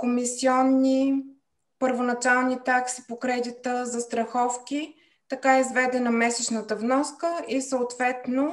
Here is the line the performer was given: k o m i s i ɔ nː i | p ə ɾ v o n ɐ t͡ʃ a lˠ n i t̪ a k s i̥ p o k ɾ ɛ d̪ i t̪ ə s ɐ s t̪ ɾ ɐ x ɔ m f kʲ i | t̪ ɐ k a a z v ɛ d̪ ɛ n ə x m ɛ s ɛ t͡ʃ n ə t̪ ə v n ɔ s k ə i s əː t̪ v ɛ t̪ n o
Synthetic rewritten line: k o m i s i ɔ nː i | p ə ɾ v o n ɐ t͡ʃ a lˠ n i t̪ a k s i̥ p o k ɾ ɛ d̪ i t̪ ə z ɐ s t̪ ɾ ɐ x ɔ f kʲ i | t̪ ɐ k a i z v ɛ d̪ ɛ n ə m ɛ s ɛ t͡ʃ n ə t̪ ə v n ɔ s k ə i s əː t̪ v ɛ t̪ n o